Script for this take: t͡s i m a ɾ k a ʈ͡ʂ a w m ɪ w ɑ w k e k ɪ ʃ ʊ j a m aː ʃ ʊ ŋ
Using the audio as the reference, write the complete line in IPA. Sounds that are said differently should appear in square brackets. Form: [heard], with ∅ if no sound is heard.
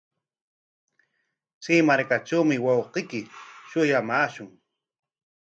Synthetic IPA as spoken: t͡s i m a ɾ k a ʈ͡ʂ a w m ɪ w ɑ w [q] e k ɪ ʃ ʊ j a m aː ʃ ʊ ŋ